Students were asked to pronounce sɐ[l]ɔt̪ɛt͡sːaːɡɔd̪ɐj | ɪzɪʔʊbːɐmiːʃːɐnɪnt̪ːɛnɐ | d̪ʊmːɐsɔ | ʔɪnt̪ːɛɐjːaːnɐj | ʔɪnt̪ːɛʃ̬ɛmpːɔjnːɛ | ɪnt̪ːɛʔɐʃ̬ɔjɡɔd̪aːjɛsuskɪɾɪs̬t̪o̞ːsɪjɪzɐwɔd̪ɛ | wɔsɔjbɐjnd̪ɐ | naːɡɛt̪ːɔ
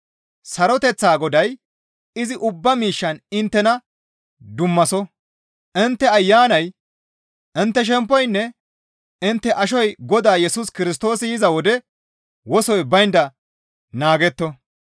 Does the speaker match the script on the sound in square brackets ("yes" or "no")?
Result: no